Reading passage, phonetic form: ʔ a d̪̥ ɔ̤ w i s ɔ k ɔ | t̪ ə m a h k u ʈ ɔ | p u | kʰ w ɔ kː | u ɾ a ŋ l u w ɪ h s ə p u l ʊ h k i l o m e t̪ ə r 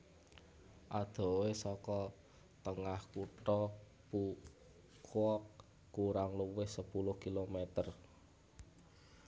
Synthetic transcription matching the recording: ʔ a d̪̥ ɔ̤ w e s ɔ k ɔ | t̪ ə ŋ a h k u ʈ ɔ | p u | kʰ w ɔ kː | u ɾ a ŋ l u w ɪ h s ə p u l ʊ h k i l o m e t̪ ə r

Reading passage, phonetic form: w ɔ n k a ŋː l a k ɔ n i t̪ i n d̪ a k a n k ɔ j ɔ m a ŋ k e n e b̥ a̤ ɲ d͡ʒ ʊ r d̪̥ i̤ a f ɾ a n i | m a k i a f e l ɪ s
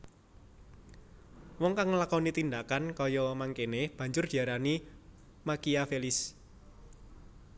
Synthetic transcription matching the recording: w ɔ ŋ k a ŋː l a k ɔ n i t̪ i n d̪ a k a n k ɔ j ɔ m a ŋ k e n e b̥ a̤ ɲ d͡ʒ ʊ r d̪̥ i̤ a ɾ a n i | m a k i a f e l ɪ s

